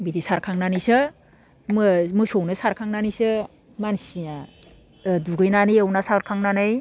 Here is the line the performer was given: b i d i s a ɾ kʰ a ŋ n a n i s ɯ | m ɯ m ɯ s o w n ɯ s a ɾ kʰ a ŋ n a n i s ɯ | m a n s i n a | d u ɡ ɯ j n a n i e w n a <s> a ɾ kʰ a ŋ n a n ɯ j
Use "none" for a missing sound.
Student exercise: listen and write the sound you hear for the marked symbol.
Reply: s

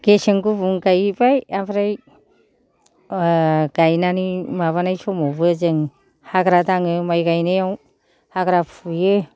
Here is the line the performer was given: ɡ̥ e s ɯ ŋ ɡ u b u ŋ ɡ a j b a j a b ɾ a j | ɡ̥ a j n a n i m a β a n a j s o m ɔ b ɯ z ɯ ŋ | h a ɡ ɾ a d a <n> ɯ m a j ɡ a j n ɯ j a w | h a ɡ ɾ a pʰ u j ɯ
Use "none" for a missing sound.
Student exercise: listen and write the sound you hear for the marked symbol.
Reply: ŋ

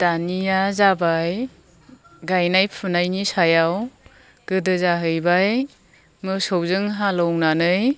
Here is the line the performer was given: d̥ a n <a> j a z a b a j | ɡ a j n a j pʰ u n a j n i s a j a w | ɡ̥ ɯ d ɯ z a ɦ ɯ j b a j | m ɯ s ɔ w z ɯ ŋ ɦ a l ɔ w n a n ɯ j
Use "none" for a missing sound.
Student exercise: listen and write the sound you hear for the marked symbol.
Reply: i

